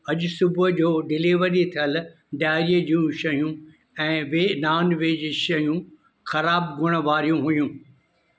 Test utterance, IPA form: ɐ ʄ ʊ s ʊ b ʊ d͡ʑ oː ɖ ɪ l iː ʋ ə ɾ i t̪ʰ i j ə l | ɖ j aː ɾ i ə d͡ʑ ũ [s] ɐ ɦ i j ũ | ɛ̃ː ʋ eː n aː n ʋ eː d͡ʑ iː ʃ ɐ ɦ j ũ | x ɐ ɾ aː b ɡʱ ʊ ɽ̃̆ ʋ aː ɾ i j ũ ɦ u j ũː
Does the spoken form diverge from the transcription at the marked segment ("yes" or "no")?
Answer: yes